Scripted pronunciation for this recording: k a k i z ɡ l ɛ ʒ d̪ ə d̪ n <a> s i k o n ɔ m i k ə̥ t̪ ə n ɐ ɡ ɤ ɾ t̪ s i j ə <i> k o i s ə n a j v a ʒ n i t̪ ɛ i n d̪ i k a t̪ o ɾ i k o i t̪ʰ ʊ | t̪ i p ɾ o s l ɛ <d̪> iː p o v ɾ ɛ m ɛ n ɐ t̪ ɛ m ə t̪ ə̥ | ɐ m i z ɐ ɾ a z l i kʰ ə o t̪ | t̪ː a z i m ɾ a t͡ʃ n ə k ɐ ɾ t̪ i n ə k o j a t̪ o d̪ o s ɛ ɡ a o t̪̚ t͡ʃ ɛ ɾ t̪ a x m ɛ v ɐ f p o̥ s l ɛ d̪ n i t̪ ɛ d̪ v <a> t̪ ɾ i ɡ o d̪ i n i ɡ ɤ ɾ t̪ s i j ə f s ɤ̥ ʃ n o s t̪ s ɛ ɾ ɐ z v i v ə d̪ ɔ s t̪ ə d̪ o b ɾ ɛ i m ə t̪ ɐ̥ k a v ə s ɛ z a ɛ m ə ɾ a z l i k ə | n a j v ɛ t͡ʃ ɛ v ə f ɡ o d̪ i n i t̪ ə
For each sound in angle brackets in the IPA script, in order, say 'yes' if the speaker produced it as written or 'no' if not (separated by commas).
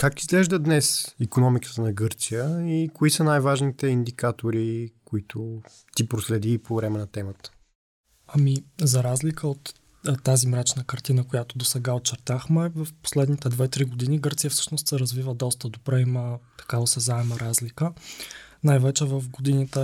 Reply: no, yes, yes, no